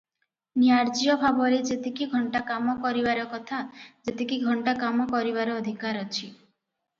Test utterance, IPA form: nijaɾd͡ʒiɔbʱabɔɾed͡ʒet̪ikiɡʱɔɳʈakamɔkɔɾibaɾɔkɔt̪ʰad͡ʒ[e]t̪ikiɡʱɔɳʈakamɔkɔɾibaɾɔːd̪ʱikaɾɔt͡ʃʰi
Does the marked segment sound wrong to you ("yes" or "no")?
no